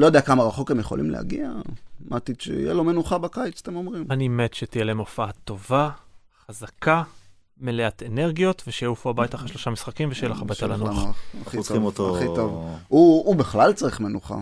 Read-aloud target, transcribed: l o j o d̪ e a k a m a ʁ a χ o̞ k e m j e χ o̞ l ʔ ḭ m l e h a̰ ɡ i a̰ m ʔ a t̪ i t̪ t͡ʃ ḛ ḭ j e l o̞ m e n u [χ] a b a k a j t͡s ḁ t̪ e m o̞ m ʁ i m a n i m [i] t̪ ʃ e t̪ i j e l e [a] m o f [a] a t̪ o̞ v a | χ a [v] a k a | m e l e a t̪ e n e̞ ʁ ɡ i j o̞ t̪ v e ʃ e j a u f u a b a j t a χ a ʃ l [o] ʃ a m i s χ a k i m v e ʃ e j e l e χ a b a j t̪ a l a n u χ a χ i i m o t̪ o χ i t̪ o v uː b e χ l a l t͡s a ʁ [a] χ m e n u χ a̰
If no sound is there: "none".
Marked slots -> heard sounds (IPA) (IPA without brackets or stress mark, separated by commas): χ, e, e, a, z, o, i